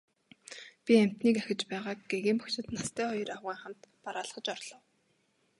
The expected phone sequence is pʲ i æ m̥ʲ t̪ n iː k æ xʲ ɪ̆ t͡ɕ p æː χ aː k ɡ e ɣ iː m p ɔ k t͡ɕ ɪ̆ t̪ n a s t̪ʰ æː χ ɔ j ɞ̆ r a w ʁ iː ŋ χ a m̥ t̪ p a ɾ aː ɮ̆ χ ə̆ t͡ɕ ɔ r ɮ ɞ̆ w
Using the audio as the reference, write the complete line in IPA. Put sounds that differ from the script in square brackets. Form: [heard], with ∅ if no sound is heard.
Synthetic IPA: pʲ i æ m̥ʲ t̪ n iː k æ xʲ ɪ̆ t͡ɕ p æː [ʁ] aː k ɡ e ɣ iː m p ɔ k t͡ɕ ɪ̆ t̪ n a s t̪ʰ æː χ ɔ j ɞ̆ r a w ʁ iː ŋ χ a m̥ t̪ p a ɾ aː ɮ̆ χ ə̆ t͡ɕ ɔ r ɮ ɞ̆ w